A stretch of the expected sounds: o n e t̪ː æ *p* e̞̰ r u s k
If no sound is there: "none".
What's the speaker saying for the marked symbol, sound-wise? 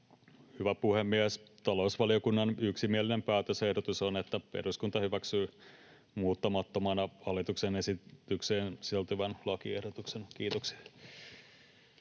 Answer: p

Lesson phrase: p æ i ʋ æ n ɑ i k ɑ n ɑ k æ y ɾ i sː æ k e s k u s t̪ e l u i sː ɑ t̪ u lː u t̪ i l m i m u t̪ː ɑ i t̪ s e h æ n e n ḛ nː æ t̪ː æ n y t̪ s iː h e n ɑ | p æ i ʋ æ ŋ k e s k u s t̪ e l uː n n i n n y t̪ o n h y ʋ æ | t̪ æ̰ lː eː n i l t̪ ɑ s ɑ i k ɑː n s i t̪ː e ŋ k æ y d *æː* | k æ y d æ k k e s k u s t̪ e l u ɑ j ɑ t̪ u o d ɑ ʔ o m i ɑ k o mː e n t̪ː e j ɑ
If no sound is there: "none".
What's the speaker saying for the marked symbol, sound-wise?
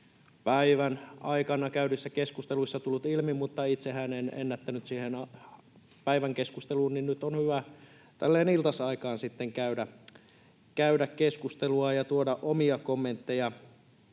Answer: æ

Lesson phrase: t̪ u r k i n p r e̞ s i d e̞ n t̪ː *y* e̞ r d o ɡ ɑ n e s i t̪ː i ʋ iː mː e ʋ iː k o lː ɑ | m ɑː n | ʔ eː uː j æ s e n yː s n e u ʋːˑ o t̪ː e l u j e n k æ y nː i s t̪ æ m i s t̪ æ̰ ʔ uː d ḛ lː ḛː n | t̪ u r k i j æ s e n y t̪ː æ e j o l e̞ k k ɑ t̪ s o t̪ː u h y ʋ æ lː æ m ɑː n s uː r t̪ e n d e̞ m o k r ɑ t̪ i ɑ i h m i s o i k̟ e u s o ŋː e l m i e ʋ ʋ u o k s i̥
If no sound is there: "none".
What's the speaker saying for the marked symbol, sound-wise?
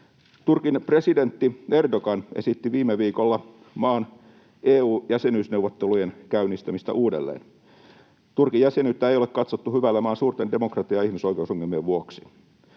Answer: i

